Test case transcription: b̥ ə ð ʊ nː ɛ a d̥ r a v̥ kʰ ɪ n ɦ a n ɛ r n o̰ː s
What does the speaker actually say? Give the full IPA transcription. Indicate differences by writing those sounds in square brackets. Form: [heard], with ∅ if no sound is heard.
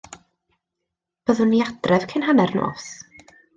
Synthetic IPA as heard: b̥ ə ð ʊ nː [i] a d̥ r [ɛ] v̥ kʰ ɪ n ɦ a n ɛ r n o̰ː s